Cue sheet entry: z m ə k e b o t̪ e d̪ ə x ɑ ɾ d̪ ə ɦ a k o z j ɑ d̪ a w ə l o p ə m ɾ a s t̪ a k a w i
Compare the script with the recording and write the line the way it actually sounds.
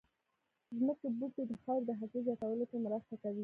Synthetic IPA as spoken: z m ə k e b u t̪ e d̪ ə x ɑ ɾ d̪ ə ɦ a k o z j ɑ t̪ a w ə l o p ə m ɾ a s t̪ a k a w i